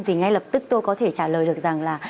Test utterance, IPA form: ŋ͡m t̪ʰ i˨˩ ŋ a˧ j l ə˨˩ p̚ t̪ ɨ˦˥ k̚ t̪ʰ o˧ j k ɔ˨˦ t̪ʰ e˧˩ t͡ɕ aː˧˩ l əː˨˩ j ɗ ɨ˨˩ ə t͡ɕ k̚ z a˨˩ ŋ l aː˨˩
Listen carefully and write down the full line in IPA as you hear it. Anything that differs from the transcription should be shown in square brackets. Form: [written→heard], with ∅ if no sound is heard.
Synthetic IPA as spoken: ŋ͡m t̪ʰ i˨˩ ŋ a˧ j l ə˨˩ p̚ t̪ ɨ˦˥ k̚ [t̪ʰ→t̪] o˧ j k ɔ˨˦ t̪ʰ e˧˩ t͡ɕ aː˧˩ l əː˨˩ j ɗ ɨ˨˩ ə [t͡ɕ→∅] k̚ z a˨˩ ŋ l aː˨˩